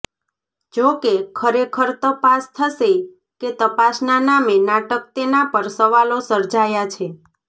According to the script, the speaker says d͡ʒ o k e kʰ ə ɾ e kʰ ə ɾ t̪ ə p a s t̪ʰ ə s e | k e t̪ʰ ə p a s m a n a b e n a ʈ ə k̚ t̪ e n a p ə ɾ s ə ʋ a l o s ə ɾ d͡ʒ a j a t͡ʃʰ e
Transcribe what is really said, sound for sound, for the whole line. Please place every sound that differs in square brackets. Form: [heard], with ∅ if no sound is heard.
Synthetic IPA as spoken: d͡ʒ o k e kʰ ə ɾ e kʰ ə ɾ t̪ ə p a s t̪ʰ ə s e | k e [t̪] ə p a s [n] a n a [m] e n a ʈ ə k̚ t̪ e n a p ə ɾ s ə ʋ a l o s ə ɾ d͡ʒ a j a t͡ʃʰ e